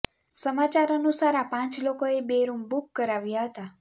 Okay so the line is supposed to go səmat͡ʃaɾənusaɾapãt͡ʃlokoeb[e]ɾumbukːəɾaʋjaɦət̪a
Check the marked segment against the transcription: correct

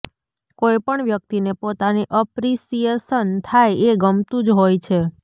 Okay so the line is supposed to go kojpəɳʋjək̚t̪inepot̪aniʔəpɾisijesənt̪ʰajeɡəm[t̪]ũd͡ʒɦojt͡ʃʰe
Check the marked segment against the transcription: correct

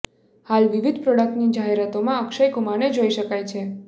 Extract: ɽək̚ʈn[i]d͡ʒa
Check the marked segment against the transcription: correct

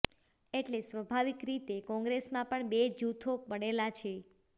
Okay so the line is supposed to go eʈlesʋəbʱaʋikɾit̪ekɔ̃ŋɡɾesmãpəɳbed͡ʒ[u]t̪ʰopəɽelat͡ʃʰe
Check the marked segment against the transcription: correct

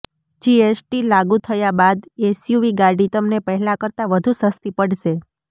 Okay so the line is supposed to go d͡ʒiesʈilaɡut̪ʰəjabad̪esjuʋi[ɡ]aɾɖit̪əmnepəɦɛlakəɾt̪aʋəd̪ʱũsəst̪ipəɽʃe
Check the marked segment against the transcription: correct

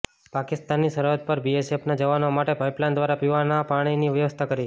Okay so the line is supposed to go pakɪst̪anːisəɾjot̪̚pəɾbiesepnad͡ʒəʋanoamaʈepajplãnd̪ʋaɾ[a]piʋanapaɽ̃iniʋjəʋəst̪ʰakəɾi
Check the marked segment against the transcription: correct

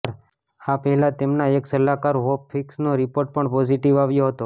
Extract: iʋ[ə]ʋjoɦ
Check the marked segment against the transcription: incorrect: a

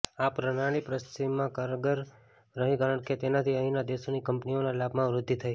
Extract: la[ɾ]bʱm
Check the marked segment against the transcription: incorrect: none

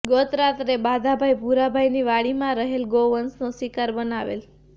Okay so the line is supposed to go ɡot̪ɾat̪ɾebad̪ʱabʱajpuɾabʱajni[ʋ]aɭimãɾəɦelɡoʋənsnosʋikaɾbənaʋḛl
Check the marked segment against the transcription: correct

